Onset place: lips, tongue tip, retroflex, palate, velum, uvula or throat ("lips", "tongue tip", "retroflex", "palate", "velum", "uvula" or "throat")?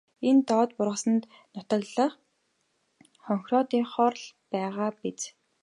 tongue tip